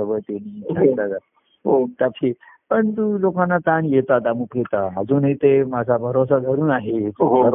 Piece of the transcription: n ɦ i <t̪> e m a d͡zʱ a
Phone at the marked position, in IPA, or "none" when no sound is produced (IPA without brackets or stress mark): t̪